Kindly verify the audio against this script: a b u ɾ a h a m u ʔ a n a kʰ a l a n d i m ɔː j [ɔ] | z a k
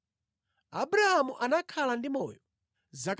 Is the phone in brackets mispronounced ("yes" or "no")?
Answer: no